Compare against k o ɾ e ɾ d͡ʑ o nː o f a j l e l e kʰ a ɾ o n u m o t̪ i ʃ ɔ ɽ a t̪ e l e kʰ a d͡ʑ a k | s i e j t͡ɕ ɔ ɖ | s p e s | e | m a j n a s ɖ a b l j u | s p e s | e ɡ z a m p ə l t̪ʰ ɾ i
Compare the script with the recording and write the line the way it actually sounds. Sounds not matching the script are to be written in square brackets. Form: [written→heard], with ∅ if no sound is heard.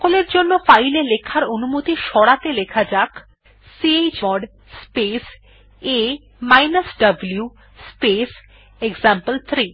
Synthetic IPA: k o [ɾ→l] e ɾ d͡ʑ o nː o f a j l e l e kʰ a ɾ o n u m o t̪ i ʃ ɔ ɽ a t̪ e l e kʰ a d͡ʑ a k | s i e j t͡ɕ ɔ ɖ | s p e s | e | m a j n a s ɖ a b l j u | s p e s | e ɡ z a m p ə l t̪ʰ ɾ i